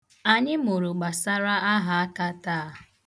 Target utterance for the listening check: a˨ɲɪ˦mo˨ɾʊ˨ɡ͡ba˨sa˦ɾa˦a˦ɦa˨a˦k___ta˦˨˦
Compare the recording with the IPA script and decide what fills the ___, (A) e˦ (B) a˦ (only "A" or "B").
B